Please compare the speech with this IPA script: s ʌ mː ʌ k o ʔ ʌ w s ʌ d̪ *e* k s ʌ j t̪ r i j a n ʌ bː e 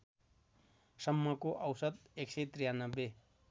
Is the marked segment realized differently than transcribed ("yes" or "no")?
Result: no